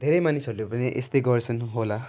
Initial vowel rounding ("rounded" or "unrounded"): unrounded